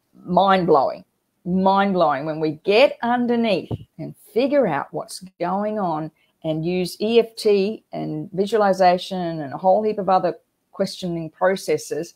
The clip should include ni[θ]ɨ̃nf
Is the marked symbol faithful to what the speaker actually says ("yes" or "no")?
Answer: yes